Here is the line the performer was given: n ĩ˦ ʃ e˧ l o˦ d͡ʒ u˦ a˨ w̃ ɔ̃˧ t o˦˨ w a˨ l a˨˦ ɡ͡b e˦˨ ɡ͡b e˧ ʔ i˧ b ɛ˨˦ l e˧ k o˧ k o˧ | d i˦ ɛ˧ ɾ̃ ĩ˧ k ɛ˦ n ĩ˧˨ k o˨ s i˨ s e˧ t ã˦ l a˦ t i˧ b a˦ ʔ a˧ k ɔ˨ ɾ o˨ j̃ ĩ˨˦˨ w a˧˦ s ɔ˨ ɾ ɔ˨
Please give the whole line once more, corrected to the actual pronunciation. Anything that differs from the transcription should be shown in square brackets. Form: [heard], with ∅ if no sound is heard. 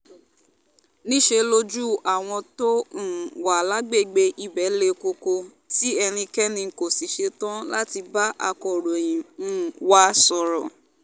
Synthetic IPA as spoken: n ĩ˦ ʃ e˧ l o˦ d͡ʒ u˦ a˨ w̃ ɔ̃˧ t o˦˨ w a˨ l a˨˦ ɡ͡b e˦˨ ɡ͡b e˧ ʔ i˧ b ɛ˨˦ l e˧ k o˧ k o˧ | [t] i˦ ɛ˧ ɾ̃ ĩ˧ k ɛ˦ n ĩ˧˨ k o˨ s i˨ [ʃ] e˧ t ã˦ l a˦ t i˧ b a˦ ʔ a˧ k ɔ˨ ɾ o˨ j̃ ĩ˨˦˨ w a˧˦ s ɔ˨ ɾ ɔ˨

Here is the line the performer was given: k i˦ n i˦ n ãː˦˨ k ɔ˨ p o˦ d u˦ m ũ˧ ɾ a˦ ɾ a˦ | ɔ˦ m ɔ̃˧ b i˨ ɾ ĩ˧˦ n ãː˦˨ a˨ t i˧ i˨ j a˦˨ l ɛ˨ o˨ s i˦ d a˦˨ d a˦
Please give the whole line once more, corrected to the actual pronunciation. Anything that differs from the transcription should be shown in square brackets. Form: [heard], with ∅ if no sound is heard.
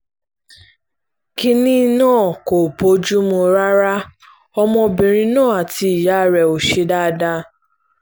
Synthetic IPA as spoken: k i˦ n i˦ n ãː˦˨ k [o˨] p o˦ [d͡ʒ] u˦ m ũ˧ ɾ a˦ ɾ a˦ | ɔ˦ m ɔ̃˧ b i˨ ɾ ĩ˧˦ n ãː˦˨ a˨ t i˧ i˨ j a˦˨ [ɾ] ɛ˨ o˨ [ʃ] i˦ d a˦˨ d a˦

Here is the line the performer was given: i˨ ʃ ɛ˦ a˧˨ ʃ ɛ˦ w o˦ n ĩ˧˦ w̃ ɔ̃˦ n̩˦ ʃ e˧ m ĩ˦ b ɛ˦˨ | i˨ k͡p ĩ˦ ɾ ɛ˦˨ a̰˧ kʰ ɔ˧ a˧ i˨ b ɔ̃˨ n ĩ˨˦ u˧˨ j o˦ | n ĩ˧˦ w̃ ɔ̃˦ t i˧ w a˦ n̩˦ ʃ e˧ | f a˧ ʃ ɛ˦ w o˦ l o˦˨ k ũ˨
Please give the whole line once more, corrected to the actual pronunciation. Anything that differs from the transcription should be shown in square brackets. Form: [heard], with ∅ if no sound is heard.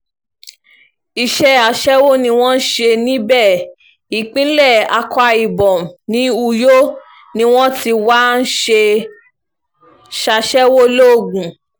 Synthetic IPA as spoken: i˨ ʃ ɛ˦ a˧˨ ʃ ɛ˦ w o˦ n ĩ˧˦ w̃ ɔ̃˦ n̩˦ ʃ e˧ [n] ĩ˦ b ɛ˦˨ | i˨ k͡p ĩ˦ [l] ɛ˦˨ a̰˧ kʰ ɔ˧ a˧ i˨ b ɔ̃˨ n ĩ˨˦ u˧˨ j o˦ | n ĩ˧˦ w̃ ɔ̃˦ t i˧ w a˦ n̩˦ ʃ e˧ | [ʃ] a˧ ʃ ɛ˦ w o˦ l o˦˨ [ɡ] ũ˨

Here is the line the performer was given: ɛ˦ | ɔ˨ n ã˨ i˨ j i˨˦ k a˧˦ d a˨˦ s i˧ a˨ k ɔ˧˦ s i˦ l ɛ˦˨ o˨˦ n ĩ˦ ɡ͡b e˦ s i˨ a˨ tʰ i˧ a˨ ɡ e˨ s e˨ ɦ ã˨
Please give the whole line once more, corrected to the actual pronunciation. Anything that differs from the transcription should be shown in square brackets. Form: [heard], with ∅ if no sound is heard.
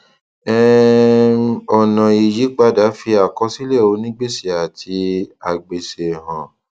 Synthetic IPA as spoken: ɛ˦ | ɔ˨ n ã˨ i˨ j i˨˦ [k͡p] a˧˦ d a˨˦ [f] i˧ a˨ k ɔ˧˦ s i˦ l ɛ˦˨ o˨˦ n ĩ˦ ɡ͡b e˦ s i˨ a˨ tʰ i˧ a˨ [ɡ͡b] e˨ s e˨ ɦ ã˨

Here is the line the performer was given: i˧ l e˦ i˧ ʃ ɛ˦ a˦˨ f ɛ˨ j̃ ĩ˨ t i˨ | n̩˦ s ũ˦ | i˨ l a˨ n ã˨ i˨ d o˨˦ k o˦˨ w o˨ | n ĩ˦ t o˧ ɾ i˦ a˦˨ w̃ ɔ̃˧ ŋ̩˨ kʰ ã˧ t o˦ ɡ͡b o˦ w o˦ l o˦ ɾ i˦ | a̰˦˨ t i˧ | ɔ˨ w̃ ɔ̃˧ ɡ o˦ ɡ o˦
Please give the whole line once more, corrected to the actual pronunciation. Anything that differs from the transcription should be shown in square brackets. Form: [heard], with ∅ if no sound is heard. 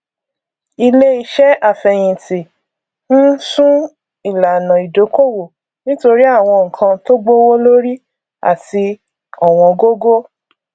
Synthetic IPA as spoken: i˧ l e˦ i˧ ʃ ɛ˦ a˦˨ f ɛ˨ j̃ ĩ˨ t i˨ | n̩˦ s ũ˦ | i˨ l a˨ n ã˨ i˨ d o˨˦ k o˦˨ w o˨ | n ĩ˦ t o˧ ɾ i˦ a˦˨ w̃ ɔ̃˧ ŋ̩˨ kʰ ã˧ t o˦ ɡ͡b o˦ w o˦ l o˦ ɾ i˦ | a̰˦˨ t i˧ | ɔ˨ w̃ ɔ̃˧ ɡ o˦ ɡ o˦

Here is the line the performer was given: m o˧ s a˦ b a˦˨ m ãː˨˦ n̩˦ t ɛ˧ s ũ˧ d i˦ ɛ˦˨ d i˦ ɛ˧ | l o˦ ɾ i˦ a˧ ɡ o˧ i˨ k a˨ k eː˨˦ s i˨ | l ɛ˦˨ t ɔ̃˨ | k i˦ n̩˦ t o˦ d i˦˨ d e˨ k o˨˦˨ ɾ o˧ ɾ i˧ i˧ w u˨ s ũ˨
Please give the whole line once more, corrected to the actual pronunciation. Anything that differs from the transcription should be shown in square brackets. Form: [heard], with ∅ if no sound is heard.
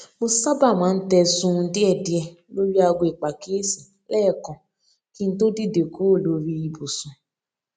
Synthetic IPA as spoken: m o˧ s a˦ b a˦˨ m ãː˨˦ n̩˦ t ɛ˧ s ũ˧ d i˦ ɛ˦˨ d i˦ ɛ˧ | l o˦ ɾ i˦ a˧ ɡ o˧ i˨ [k͡p] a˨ k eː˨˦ s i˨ | l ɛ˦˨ [k] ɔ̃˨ | k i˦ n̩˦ t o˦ d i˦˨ d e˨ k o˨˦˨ [l] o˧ ɾ i˧ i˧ [b] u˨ s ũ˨

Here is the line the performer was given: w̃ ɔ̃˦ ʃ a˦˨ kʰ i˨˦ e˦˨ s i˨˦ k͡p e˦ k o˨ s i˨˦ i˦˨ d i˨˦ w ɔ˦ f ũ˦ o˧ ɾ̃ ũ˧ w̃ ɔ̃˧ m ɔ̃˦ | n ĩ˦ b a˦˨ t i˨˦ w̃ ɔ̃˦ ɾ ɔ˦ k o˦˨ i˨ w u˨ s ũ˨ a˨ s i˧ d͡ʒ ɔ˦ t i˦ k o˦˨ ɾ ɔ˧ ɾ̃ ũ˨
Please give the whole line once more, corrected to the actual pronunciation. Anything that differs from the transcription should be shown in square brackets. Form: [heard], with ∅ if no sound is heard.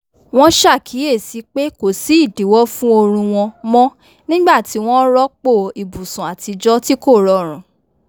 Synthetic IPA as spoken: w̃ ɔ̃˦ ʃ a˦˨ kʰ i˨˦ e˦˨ s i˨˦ k͡p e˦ k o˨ s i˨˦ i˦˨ d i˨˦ w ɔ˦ f ũ˦ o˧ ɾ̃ ũ˧ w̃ ɔ̃˧ m ɔ̃˦ | n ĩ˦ [ɡ͡b] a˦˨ t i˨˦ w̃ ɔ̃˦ ɾ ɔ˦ [k͡p] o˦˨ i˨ [b] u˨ s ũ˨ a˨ [t] i˧ d͡ʒ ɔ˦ t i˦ k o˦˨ ɾ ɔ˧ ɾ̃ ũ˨

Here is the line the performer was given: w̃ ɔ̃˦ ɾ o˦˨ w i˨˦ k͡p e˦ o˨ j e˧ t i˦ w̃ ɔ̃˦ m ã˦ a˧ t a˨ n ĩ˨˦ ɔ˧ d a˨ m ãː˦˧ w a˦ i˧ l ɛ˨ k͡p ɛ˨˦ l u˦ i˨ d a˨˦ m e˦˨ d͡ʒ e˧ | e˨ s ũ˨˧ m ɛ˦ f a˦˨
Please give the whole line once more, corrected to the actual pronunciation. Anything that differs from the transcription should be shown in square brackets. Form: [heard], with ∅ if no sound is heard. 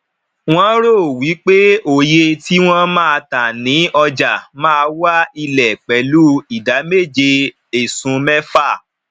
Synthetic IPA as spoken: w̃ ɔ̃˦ ɾ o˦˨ w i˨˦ k͡p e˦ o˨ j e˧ t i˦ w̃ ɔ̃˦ m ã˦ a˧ t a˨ n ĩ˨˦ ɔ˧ [d͡ʒ] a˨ m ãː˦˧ w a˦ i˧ l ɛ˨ k͡p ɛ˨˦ l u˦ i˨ d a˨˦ m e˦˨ d͡ʒ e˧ | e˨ s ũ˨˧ m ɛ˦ f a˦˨

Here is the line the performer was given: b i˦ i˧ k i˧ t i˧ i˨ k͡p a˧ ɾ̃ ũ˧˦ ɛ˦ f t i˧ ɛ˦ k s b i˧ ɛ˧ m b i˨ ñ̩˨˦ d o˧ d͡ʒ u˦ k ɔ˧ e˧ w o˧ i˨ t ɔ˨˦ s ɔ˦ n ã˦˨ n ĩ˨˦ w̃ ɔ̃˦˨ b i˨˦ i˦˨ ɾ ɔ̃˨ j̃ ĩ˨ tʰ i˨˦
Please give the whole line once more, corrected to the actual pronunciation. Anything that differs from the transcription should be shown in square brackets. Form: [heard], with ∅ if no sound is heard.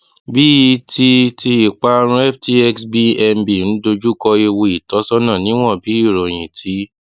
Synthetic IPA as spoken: b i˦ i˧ [t] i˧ t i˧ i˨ k͡p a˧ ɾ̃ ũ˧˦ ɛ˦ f t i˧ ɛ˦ k s b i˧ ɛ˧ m b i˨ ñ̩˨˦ d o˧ d͡ʒ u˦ k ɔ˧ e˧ w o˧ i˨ t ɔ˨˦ s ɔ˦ n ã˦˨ n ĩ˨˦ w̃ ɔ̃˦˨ b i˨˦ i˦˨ ɾ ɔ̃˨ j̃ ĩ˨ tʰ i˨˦

